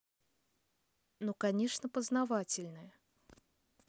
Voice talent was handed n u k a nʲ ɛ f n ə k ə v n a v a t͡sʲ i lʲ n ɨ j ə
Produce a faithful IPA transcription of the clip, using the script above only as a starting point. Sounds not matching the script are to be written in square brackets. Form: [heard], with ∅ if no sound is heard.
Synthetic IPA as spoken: n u k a nʲ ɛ [ʂ] n ə [p] ə [z] n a v a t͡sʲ [ɪ] lʲ n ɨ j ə